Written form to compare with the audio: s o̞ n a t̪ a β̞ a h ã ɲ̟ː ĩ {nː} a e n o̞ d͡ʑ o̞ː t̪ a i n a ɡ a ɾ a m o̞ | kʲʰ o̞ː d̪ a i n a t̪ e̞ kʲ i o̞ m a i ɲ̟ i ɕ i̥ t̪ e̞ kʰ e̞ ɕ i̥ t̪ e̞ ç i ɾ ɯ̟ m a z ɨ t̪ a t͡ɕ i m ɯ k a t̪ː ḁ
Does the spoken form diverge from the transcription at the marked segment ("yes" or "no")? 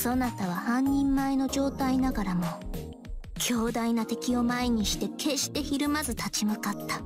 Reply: yes